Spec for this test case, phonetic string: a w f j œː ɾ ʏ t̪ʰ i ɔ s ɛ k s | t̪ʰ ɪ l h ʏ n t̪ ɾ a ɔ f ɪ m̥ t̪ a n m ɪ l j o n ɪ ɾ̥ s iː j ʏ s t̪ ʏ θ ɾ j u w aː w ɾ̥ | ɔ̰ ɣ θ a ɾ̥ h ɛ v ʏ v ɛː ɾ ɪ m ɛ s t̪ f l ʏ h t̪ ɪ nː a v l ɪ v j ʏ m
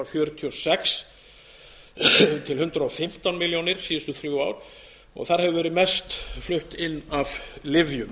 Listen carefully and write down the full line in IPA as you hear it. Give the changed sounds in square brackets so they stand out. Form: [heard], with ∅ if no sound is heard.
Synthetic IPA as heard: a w f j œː ɾ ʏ t̪ʰ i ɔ s ɛ k s | t̪ʰ ɪ l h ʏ n t̪ ɾ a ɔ f ɪ m̥ t̪ a n m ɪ l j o n ɪ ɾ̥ s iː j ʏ s t̪ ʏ θ ɾ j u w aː w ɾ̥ | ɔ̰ ɣ θ a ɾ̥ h ɛ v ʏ v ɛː ɾ ɪ m ɛ s t̪ f l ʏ h t̪ ɪ nː a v l ɪ v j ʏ m

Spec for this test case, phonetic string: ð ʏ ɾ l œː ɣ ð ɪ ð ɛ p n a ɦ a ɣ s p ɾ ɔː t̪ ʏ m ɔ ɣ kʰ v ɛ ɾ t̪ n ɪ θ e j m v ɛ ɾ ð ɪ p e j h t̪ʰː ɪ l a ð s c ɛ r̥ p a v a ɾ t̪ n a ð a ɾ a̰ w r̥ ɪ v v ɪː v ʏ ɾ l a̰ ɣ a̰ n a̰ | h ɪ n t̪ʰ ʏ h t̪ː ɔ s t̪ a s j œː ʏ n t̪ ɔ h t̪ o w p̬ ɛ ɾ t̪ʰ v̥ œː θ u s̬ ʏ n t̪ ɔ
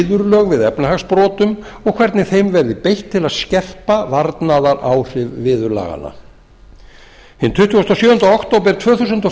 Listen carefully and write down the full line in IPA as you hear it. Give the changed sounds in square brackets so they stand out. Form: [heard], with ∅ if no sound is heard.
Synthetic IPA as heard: ð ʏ ɾ l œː ɣ [v] ɪ ð ɛ p n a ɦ a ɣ s p ɾ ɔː t̪ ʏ m ɔ ɣ kʰ v ɛ ɾ t̪ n ɪ θ e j m v ɛ ɾ ð ɪ p e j h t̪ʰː ɪ l a ð s c ɛ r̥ p a v a ɾ t̪ n a ð a ɾ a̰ w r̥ ɪ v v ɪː [ð] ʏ ɾ l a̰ ɣ a̰ n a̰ | h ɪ n t̪ʰ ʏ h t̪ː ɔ s t̪ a s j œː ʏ n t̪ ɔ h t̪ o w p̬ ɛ ɾ t̪ʰ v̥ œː θ u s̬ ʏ n t̪ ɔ

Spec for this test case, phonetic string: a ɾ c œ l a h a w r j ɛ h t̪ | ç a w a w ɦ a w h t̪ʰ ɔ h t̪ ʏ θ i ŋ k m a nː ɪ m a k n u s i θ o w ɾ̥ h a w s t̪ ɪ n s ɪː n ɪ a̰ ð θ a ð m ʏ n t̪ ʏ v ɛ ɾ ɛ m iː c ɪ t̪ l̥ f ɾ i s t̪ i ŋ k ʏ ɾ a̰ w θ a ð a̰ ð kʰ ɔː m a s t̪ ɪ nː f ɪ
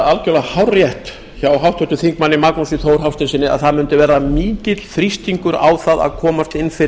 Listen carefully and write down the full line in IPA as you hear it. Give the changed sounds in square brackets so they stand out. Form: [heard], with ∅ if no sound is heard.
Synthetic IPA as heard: a [l] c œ l a h a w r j ɛ h t̪ | ç a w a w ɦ a w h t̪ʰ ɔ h t̪ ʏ θ i ŋ k m a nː ɪ m a k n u s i θ o w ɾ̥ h a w s t̪ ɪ n s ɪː n ɪ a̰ ð θ a ð m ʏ n t̪ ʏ v ɛ ɾ [a] m iː c ɪ t̪ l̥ f ɾ i s t̪ i ŋ k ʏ ɾ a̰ w θ a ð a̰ ð kʰ ɔː m a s t̪ ɪ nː f ɪ

